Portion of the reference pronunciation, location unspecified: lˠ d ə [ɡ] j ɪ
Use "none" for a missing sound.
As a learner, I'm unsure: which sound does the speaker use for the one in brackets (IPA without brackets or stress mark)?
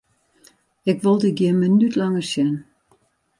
ɡ